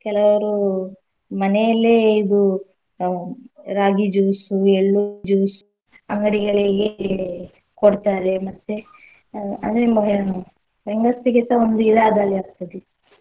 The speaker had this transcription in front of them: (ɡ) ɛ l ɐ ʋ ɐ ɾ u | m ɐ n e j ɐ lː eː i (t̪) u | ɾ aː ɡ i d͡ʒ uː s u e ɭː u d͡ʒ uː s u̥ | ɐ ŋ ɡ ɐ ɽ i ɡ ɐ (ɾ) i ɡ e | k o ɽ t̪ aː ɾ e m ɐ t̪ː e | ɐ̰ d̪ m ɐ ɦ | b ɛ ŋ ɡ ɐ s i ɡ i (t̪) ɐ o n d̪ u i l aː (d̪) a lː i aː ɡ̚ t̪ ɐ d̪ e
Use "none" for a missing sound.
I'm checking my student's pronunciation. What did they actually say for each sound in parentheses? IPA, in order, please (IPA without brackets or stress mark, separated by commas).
k, d̪, ɭ, t̪, d̪